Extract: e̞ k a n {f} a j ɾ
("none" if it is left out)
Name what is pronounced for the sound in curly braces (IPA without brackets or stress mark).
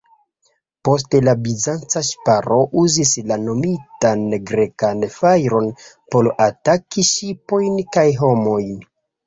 f